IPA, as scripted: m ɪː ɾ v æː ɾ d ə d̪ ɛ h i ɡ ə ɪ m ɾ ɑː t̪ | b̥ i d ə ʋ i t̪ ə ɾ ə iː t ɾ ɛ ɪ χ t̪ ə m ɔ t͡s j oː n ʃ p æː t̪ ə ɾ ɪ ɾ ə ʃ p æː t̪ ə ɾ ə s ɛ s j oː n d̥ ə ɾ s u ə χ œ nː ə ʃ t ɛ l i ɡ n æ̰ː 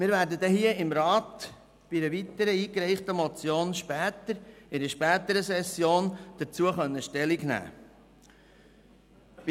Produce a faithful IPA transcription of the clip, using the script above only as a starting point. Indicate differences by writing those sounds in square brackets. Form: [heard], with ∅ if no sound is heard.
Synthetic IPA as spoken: m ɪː ɾ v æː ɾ d ə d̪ ɛ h i [∅] ə ɪ m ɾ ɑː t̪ | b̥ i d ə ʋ i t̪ ə ɾ ə iː [k] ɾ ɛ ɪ χ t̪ ə m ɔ t͡s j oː n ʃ p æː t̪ ə ɾ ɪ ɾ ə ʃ p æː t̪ ə ɾ ə s ɛ s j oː n d̥ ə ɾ [t͡s] u ə χ œ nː ə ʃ t ɛ l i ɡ n æ̰ː